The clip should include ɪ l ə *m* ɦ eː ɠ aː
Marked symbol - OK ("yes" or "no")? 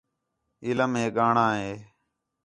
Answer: yes